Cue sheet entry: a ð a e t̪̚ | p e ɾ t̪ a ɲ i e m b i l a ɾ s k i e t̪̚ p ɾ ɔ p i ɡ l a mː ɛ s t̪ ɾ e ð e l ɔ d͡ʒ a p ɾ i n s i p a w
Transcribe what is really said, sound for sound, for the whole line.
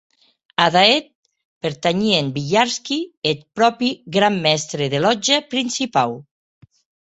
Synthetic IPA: a ð a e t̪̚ | p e ɾ t̪ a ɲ i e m b i ʎ a ɾ s k i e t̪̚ p ɾ ɔ p i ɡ ɾ a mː ɛ s t̪ ɾ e ð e l ɔ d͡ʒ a p ɾ i n s i p a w